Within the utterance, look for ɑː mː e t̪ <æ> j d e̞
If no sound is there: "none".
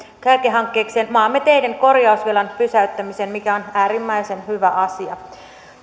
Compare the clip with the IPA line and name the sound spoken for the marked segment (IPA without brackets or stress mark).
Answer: e